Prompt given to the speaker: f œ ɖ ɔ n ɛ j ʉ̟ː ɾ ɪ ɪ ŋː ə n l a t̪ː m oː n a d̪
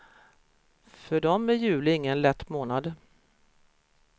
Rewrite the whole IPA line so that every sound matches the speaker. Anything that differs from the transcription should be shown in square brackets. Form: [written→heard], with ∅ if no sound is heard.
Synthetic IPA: f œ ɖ ɔ [n→m] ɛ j ʉ̟ː [ɾ→l] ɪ ɪ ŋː ə n l [a→ɛ] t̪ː m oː n a d̪